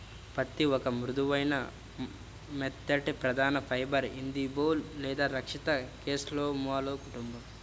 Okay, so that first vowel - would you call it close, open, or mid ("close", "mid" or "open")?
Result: open